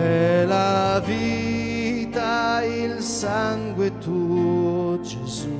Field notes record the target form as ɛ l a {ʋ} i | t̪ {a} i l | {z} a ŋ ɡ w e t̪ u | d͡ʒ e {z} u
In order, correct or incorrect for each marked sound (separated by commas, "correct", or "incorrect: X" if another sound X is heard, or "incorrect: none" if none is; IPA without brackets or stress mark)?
incorrect: v, correct, incorrect: s, correct